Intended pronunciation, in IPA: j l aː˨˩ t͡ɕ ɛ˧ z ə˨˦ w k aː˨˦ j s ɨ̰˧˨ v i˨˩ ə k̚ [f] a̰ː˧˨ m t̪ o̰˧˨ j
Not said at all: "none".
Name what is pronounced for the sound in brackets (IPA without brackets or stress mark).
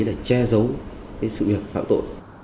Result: f